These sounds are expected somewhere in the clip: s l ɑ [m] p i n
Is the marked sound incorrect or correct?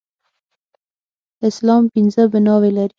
correct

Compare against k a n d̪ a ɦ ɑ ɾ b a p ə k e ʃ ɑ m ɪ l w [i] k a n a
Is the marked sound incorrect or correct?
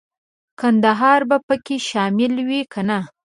correct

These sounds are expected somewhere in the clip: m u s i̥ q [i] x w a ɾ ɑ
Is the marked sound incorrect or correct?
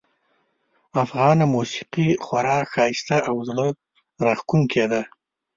correct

